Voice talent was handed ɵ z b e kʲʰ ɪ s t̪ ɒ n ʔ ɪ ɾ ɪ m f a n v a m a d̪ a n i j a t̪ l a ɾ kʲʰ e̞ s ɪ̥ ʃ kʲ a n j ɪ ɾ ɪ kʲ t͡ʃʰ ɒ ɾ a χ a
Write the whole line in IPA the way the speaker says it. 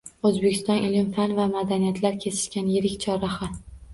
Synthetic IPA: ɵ z b e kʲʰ ɪ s t̪ ɒ n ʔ ɪ l ɪ m f a n v a m a d̪ a n i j a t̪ l a ɾ kʲʰ e̞ s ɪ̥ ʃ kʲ a n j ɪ ɾ ɪ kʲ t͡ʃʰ ɒ ɾ a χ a